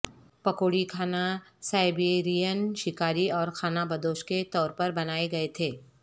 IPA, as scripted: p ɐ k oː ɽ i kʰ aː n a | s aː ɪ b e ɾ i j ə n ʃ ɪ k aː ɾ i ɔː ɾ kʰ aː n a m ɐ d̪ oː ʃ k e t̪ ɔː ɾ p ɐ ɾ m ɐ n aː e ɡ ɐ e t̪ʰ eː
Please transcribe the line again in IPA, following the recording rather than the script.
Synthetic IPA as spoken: p ɐ k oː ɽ i kʰ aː n a | s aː ɪ b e ɾ i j ə n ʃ ɪ k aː ɾ i ɔː ɾ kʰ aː n a b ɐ d̪ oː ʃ k e t̪ ɔː ɾ p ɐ ɾ b ɐ n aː e ɡ ɐ e t̪ʰ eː